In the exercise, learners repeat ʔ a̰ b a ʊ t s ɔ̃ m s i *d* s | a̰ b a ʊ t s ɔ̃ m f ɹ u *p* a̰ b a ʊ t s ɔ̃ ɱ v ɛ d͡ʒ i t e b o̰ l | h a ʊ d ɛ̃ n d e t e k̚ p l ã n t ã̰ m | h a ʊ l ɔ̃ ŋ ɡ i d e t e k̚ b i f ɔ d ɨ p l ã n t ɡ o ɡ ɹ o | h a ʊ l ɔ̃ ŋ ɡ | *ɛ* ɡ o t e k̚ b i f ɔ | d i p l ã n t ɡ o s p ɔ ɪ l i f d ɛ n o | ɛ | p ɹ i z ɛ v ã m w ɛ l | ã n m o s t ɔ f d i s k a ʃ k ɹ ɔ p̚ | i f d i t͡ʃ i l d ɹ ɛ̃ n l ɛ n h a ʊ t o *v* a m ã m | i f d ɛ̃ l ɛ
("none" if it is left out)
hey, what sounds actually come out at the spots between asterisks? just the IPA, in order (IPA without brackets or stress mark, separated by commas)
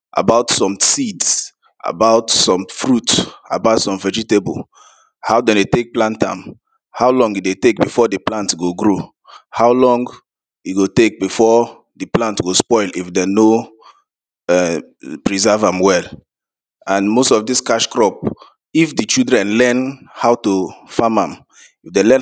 d, t, i, f